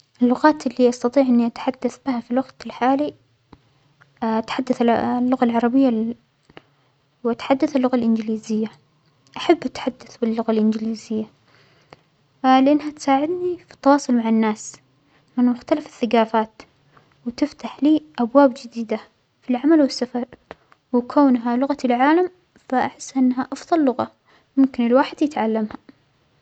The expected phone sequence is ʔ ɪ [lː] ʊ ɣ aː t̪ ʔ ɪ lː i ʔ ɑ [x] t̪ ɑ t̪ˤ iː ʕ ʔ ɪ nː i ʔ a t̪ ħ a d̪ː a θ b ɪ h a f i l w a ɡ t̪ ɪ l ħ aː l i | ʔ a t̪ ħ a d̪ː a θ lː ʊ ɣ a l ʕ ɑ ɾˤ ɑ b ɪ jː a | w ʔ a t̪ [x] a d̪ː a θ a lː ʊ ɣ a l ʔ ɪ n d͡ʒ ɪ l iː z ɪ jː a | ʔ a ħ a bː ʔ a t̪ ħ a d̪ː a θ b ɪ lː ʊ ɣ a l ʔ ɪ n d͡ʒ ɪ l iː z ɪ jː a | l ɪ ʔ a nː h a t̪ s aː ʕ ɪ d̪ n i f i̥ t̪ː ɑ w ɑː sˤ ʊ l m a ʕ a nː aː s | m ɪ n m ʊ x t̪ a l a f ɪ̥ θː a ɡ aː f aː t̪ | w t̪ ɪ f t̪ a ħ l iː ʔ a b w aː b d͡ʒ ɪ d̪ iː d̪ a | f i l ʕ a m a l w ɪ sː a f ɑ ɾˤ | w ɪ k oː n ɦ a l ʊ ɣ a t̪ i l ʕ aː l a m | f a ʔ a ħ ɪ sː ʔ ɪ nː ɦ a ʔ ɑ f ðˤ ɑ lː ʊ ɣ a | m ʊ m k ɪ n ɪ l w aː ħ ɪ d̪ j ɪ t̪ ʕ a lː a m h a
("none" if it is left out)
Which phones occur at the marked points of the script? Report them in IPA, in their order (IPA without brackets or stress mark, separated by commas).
lː, s, ħ